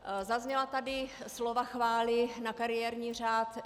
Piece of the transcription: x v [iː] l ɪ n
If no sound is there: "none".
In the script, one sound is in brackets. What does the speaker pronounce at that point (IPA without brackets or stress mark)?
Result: aː